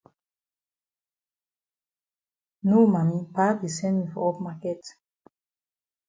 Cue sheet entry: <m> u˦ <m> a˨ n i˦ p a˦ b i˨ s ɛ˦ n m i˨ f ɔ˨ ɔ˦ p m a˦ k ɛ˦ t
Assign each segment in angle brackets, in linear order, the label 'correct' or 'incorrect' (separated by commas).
incorrect, correct